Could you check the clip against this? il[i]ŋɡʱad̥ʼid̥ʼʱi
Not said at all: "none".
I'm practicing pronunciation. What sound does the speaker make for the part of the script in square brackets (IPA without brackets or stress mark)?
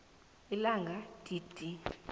a